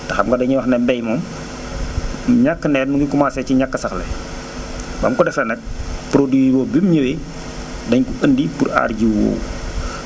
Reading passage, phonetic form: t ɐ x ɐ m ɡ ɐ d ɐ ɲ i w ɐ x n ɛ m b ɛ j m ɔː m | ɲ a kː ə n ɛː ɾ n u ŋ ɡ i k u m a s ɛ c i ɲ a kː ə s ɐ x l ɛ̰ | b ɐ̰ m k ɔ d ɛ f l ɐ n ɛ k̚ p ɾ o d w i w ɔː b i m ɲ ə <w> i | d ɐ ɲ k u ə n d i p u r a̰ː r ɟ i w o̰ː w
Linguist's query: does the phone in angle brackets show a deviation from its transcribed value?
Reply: no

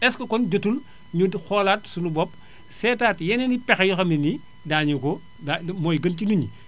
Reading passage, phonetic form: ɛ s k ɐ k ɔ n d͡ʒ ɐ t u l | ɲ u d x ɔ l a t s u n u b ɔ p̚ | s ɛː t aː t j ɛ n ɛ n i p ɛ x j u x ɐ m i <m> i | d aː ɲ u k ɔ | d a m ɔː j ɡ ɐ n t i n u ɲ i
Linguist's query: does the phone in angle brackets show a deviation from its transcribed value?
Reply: yes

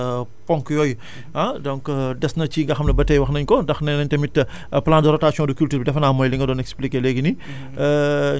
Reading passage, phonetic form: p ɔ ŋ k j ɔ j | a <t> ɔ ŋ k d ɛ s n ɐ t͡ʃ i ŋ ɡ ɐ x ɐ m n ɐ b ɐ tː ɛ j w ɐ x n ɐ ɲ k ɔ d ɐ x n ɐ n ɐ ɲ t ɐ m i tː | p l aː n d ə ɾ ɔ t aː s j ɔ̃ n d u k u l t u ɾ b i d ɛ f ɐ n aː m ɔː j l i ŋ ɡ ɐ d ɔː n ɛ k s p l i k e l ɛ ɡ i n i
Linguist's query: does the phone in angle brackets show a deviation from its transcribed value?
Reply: yes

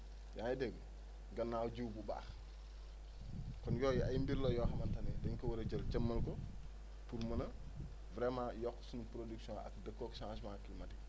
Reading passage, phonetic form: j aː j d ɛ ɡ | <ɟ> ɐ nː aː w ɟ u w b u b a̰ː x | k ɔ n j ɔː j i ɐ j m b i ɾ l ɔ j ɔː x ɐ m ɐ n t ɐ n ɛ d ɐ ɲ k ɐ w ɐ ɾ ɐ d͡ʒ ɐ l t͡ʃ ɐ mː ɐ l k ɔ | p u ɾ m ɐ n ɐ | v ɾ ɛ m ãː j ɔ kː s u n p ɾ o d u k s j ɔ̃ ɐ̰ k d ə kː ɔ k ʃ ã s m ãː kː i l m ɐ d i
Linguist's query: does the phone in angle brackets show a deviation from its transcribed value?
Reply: yes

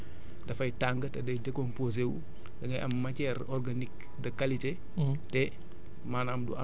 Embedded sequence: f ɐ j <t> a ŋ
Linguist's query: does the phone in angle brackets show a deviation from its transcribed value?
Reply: no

